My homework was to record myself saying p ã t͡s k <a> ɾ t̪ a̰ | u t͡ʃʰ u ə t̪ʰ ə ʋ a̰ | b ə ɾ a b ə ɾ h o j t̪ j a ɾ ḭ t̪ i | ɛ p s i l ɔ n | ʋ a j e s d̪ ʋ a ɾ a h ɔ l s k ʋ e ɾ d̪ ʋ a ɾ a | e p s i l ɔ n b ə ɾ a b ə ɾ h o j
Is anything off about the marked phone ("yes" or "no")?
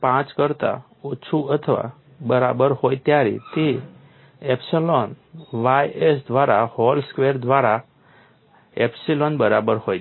yes